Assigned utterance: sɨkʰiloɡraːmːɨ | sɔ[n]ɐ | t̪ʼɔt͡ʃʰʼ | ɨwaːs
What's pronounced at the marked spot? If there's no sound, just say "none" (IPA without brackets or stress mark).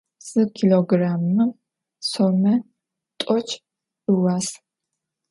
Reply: m